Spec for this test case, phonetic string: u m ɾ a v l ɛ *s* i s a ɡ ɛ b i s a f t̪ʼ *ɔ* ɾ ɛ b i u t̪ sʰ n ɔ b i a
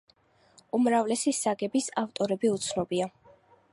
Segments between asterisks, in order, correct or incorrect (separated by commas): correct, correct